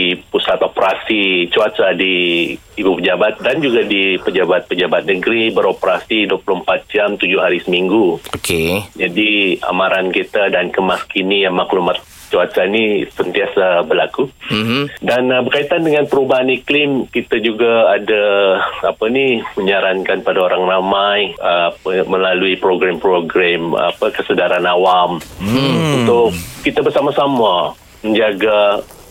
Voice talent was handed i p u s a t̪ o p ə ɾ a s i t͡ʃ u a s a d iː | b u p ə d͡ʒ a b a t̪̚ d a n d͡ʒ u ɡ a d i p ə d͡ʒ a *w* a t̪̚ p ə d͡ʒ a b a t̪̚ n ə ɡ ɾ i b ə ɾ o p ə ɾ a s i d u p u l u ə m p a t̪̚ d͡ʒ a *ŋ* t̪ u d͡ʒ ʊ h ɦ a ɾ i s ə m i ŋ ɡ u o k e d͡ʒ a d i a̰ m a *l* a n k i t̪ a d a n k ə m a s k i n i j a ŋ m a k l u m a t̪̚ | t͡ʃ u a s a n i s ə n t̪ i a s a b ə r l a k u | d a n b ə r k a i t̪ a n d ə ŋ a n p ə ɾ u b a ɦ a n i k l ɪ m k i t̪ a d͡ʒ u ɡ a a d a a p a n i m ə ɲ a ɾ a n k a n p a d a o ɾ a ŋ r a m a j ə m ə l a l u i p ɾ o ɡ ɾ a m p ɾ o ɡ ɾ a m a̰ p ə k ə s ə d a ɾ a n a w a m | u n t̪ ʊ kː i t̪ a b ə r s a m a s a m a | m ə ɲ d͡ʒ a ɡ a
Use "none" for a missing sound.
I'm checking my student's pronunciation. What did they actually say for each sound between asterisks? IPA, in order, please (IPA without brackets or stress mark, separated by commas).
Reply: b, m, ɾ